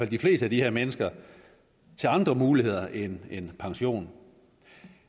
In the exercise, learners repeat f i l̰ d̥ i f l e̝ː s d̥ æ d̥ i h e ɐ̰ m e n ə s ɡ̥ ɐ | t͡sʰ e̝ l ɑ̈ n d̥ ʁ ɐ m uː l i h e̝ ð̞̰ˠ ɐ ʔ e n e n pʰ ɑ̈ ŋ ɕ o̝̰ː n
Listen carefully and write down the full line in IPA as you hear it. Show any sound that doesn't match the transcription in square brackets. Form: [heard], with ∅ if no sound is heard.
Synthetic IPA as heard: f [æ] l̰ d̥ i f l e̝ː s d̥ æ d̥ i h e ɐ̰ m e n ə s ɡ̥ ɐ | t͡sʰ e̝ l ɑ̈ n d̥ ʁ ɐ m uː l i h e̝ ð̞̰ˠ ɐ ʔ e n e n pʰ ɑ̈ ŋ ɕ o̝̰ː n